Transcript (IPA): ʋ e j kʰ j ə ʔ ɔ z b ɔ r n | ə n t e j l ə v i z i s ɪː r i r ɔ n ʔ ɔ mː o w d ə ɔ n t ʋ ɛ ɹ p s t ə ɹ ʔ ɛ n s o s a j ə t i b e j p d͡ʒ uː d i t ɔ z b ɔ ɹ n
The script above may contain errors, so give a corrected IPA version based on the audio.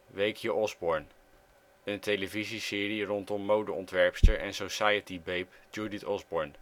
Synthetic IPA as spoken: ʋ e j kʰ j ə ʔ ɔ z b ɔ ɹ n | ə n t e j l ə v i z i s ɪː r i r ɔ n t ɔ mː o w d ə ɔ n t ʋ ɛ ɹ p s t ə ɹ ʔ ɛ n s o s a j ə t i b e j p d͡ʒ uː d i t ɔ z b ɔ ɹ n